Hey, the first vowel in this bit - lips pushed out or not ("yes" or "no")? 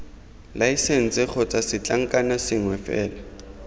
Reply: no